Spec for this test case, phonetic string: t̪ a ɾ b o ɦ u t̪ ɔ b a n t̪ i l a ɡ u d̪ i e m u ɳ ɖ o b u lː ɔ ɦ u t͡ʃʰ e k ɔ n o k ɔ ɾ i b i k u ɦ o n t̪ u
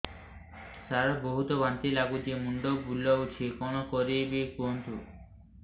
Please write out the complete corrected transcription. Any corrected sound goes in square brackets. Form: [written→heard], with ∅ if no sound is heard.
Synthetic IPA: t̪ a ɾ b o ɦ u t̪ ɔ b a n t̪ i l a ɡ u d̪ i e m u ɳ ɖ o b u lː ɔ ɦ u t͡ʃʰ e k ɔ n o k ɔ ɾ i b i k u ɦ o n t̪ u